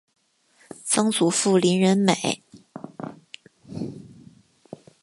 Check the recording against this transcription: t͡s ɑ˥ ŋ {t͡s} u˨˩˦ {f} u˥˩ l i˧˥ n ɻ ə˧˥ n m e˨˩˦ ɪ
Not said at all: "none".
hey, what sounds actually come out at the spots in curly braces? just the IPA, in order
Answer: t͡s, f

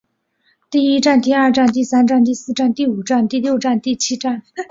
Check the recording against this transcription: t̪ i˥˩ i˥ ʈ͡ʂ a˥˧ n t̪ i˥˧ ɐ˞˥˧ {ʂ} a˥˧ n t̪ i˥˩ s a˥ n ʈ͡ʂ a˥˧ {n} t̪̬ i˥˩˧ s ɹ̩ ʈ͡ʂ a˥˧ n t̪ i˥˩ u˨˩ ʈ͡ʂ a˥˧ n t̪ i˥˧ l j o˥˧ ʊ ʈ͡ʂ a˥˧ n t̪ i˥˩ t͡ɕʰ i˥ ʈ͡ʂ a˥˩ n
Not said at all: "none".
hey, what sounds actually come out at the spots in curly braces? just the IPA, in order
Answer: ʈ͡ʂ, n

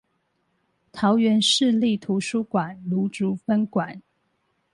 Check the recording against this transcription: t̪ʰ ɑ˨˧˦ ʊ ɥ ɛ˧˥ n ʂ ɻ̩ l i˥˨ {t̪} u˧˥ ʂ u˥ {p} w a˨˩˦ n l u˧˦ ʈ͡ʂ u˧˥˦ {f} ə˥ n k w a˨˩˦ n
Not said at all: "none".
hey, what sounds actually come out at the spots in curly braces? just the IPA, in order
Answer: t̪ʰ, k, f

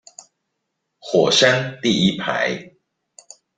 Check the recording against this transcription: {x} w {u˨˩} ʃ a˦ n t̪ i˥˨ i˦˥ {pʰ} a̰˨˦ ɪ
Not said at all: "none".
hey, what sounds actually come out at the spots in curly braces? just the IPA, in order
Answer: x, ɔ˨˩, pʰ

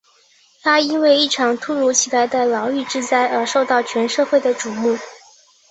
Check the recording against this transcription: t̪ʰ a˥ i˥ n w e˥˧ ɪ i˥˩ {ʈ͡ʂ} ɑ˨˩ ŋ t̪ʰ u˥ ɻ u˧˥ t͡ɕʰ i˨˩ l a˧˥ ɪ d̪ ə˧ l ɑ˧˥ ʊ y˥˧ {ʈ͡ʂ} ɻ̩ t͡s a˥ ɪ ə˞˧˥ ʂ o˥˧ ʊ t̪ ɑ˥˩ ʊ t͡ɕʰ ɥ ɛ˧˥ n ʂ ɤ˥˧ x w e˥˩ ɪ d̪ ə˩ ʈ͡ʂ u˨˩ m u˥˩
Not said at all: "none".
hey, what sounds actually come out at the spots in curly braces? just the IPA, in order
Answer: ʈ͡ʂʰ, ʈ͡ʂ

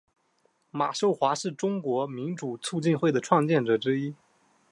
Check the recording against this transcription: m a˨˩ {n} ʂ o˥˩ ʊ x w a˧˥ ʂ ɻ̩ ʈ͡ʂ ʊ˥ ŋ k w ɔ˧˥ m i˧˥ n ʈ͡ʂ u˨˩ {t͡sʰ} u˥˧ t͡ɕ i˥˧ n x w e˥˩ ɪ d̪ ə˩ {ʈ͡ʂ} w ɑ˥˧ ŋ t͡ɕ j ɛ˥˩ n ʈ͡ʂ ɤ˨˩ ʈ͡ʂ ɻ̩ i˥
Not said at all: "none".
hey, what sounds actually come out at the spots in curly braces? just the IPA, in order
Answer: none, t͡sʰ, ʈ͡ʂʰ

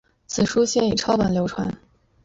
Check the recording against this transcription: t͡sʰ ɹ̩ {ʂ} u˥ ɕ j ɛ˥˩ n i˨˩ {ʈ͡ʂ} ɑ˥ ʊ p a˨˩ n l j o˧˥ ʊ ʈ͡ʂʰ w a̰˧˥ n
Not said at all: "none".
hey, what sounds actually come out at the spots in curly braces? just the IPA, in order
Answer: ʂ, ʈ͡ʂʰ

